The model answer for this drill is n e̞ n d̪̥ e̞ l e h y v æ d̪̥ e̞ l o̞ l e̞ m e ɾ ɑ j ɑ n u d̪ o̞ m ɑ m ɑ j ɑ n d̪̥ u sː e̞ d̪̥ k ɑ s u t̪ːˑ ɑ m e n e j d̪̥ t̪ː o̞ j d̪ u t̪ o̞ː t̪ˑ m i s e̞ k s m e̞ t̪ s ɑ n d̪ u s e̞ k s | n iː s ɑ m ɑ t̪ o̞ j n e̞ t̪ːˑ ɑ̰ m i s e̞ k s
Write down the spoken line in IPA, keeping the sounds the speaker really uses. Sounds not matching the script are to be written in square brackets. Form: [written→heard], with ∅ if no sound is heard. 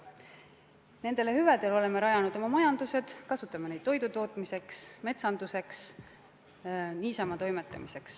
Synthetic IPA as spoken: n e̞ n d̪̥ e̞ l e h y v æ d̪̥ e̞ l o̞ l e̞ m e ɾ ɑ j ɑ n u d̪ o̞ m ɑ m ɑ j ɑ n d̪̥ u [sː→s] e̞ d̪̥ k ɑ s u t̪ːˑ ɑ m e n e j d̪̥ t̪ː o̞ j d̪ u t̪ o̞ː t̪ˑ m i s e̞ k s m e̞ t̪ s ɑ n d̪ u s e̞ k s | n iː s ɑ m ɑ t̪ o̞ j [n→m] e̞ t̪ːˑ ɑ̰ m i s e̞ k s